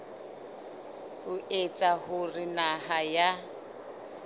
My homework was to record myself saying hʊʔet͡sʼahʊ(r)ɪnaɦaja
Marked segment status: correct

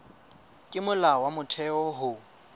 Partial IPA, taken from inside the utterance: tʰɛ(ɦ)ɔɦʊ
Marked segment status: incorrect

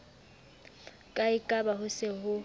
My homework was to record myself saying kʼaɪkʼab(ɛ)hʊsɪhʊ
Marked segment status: incorrect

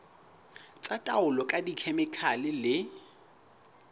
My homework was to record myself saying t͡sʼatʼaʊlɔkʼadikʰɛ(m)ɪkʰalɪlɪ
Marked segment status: correct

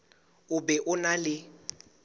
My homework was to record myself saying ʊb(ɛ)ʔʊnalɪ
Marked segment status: correct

